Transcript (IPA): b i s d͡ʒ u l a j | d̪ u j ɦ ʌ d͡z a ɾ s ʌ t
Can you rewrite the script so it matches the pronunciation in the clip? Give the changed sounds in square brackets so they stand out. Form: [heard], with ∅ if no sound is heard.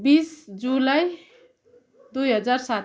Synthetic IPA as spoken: b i s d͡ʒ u l a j | d̪ u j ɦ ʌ d͡z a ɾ s [a] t